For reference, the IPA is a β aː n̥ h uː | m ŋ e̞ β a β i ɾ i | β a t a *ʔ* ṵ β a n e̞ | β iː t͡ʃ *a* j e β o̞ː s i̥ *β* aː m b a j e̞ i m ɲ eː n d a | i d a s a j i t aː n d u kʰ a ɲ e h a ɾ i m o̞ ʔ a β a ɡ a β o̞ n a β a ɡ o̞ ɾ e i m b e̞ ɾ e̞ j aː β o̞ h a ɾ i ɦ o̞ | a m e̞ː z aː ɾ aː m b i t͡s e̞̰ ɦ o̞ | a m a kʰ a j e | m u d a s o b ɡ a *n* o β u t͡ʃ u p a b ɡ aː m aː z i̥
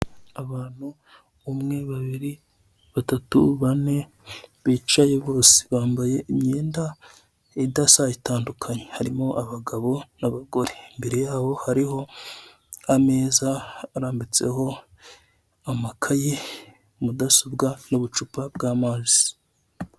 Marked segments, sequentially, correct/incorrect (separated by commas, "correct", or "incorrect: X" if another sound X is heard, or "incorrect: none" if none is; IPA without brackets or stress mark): incorrect: t, correct, correct, correct